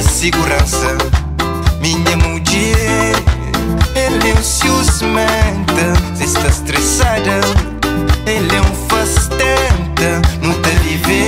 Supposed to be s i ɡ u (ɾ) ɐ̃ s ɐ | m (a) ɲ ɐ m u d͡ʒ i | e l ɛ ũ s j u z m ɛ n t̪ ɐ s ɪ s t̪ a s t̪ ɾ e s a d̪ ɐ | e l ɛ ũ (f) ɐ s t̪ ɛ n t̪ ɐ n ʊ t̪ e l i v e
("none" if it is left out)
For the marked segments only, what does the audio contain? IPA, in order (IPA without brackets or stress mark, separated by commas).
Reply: ɾ, i, f